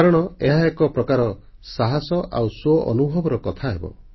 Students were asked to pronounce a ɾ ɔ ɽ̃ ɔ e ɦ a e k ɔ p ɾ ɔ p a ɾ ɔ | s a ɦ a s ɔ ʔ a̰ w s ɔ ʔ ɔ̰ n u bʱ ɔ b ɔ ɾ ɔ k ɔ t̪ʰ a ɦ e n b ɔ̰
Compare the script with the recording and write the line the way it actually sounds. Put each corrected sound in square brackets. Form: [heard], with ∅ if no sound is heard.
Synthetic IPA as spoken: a ɾ ɔ ɽ̃ ɔ e ɦ a e k ɔ p ɾ ɔ [k] a ɾ ɔ | s a ɦ a s ɔ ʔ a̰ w s ɔ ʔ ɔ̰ n u bʱ ɔ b ɔ ɾ ɔ k ɔ t̪ʰ a ɦ e [∅] b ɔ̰